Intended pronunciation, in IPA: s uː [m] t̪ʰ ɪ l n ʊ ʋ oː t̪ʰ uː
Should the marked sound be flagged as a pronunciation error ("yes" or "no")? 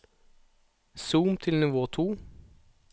no